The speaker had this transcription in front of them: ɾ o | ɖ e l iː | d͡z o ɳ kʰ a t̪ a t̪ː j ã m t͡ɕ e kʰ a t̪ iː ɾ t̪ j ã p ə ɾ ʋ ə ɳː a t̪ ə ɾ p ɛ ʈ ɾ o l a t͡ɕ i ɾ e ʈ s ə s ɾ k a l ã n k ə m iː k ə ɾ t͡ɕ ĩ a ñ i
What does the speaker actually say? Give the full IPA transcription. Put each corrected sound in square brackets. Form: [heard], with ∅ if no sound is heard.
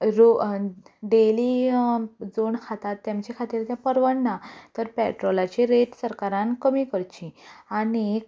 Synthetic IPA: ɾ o | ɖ e l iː | d͡z o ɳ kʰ a t̪ a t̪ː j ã m t͡ɕ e kʰ a t̪ iː ɾ t̪ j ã p ə ɾ ʋ ə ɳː a t̪ ə ɾ p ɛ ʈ ɾ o l a t͡ɕ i ɾ e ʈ s ə [∅] ɾ k a [ɾ] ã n k ə m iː k ə ɾ t͡ɕ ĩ a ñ i